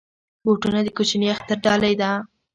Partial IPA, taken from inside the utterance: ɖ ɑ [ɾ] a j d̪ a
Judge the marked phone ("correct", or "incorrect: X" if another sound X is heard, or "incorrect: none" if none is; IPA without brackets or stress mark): incorrect: l